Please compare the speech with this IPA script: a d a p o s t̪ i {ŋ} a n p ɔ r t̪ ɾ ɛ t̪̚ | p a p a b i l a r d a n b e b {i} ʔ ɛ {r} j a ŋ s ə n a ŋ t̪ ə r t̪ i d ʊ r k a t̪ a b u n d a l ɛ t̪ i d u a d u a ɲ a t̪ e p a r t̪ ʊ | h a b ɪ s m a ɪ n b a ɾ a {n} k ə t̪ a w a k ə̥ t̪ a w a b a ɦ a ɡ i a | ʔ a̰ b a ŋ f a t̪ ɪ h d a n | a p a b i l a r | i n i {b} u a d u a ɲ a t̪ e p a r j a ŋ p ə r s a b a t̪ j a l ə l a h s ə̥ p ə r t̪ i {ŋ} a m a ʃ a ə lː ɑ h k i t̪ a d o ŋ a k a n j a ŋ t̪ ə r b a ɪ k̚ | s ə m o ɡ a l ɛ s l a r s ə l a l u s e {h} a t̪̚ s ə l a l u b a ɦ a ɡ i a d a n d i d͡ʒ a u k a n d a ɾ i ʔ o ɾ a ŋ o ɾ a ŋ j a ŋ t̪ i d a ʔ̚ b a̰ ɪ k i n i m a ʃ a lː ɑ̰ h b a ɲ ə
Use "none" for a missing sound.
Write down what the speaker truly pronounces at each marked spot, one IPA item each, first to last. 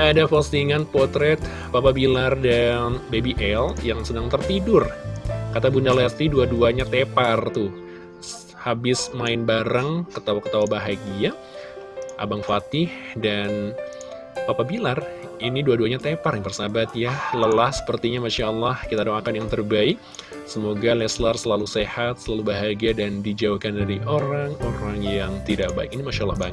ŋ, i, l, ŋ, d, ɲ, h

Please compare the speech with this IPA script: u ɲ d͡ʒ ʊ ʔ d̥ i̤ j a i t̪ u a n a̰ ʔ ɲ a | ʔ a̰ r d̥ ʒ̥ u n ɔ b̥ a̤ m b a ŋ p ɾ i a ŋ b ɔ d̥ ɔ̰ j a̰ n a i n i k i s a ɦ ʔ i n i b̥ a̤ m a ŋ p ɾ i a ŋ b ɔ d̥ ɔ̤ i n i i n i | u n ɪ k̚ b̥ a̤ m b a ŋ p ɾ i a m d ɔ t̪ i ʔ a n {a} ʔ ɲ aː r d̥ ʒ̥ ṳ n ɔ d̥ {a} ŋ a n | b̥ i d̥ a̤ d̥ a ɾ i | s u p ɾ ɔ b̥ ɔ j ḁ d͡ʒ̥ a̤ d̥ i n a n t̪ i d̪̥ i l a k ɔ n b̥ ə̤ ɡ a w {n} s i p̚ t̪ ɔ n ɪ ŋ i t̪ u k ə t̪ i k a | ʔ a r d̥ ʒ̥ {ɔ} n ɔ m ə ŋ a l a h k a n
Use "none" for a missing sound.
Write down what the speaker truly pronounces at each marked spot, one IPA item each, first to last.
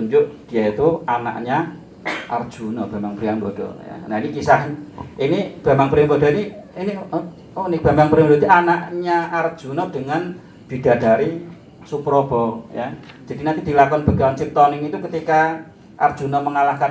a, ə, n, u

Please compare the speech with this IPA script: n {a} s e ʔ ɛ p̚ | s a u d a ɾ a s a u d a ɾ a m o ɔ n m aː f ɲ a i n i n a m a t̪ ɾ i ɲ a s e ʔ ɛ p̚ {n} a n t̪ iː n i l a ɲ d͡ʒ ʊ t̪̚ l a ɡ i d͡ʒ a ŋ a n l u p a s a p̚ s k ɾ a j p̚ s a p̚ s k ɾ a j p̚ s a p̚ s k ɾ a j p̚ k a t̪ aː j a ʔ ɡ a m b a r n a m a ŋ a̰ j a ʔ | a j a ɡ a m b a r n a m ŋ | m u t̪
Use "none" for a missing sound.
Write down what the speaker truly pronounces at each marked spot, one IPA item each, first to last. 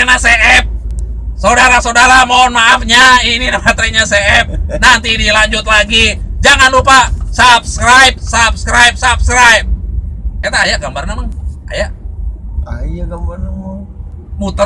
a, n

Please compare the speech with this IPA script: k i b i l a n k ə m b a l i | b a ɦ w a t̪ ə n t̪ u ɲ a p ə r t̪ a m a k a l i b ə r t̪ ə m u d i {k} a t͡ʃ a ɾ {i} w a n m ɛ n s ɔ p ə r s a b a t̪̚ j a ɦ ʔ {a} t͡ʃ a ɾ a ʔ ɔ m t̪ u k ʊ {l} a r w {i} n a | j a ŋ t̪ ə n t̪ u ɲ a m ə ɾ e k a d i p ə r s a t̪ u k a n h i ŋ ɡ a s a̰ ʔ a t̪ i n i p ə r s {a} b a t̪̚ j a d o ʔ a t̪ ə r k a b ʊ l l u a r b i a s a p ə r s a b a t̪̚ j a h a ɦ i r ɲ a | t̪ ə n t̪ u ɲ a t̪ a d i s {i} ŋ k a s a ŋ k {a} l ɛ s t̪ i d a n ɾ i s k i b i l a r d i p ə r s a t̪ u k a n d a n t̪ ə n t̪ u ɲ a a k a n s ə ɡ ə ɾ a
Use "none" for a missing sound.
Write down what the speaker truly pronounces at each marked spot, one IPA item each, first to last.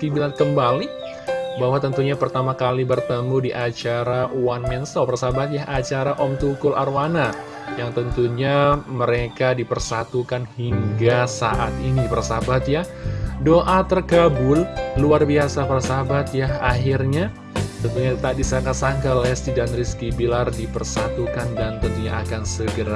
ʔ, a, a, l, a, a, a, a

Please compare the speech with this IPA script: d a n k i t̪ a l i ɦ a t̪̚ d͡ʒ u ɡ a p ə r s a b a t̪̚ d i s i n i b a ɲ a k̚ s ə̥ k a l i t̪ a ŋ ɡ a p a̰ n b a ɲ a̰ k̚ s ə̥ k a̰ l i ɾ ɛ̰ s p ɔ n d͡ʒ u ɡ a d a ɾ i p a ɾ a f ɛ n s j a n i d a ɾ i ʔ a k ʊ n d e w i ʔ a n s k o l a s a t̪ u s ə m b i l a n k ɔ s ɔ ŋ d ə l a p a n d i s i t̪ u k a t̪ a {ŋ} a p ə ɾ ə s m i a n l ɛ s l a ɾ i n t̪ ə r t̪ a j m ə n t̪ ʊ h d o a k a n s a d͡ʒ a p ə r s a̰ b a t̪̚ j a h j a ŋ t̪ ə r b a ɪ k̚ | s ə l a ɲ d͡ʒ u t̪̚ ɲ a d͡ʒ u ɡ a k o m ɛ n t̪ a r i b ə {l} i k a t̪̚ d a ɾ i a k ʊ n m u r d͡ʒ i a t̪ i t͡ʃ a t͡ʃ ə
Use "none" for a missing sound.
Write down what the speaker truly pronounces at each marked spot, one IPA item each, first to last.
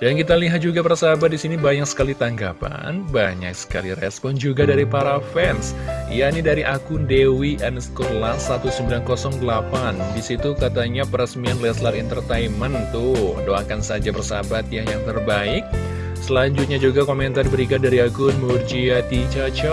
ɲ, ɾ

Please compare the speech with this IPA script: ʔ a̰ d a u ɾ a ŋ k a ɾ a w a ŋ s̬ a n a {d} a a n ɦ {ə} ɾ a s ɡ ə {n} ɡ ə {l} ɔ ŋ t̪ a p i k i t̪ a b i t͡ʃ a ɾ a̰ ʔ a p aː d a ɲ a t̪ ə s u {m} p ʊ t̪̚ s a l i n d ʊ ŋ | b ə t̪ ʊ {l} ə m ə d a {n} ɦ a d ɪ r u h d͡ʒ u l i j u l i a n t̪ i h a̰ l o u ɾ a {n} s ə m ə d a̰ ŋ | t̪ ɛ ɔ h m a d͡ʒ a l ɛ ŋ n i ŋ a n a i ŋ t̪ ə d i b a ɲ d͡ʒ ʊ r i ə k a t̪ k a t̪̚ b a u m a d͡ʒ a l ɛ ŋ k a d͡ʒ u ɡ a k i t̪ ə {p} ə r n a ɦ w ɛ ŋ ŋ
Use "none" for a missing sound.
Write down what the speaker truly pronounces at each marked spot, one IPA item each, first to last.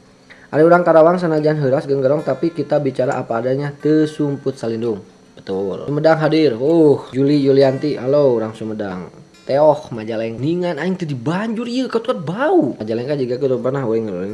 d͡ʒ, ə, ŋ, ɾ, m, l, ŋ, ŋ, p

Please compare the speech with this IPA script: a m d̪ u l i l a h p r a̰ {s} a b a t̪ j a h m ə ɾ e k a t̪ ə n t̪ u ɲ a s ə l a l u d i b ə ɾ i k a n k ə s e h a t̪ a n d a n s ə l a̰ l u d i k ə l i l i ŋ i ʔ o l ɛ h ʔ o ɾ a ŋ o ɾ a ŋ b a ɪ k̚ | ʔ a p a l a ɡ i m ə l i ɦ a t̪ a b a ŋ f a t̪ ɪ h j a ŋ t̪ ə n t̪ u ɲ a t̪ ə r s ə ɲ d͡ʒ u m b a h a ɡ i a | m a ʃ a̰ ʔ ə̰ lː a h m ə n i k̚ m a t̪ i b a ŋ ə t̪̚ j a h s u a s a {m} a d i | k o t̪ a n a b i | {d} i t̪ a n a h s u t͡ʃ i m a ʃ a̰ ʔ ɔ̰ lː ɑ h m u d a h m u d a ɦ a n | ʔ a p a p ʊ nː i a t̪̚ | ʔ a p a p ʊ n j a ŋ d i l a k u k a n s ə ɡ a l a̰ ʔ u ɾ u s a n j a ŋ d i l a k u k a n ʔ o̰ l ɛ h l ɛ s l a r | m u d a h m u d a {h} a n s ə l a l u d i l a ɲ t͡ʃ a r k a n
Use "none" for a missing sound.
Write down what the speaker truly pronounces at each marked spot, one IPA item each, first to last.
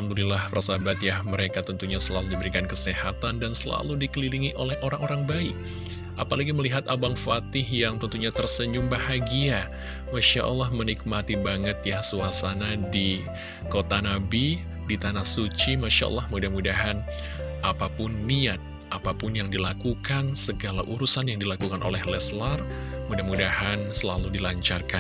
s, n, d, h

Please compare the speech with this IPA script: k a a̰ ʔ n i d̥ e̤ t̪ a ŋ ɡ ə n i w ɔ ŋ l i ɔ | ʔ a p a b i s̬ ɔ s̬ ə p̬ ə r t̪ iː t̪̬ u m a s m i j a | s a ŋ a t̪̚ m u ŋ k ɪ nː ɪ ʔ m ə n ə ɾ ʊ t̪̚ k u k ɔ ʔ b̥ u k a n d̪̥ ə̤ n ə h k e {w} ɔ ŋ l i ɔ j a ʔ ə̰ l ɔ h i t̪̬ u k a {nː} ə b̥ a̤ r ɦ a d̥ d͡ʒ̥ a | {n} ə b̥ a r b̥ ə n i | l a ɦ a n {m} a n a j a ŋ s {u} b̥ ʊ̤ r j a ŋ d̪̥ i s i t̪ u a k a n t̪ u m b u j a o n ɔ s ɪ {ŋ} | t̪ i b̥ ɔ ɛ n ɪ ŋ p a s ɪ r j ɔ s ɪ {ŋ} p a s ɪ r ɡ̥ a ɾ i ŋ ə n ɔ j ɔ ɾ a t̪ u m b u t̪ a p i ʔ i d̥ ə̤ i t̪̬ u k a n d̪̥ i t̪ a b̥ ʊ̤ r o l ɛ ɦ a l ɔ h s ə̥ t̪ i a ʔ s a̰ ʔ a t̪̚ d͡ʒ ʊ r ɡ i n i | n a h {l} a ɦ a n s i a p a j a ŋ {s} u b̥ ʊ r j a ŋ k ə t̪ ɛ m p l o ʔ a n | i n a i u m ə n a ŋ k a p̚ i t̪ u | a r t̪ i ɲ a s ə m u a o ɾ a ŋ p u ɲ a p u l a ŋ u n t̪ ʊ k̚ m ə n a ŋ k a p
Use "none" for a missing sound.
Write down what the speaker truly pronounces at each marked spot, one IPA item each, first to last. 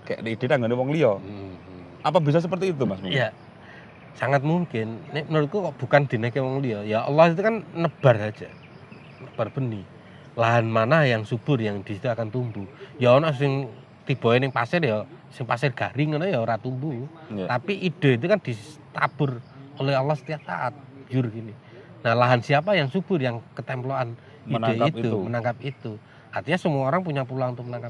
w, nː, n, m, u, ŋ, ŋ, l, s

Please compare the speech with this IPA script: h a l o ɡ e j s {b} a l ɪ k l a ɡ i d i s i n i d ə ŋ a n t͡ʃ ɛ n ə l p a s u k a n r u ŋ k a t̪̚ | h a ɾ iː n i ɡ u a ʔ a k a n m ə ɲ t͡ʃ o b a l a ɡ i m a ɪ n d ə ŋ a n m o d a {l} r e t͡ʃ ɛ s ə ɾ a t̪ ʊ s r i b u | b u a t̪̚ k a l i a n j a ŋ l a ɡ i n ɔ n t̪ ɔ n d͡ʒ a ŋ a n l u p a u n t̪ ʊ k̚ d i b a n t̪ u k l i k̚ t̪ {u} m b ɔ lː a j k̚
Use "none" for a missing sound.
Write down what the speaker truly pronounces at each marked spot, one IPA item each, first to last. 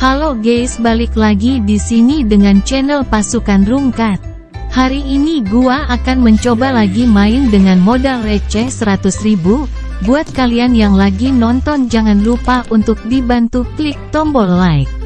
b, l, ɔ

